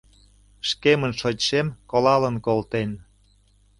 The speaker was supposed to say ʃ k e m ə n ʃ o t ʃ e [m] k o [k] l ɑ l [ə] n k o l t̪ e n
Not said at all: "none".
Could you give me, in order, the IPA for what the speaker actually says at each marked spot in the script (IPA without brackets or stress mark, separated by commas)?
m, none, ə